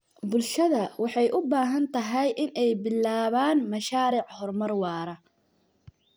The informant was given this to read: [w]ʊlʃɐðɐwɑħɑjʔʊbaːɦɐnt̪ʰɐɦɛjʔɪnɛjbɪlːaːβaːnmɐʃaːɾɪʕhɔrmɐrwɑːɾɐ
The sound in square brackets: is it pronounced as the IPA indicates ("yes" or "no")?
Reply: no